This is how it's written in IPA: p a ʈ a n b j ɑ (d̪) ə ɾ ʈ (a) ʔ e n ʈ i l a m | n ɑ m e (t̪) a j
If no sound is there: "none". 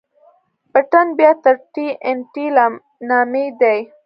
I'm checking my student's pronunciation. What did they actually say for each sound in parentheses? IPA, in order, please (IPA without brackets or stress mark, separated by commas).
t̪, i, d̪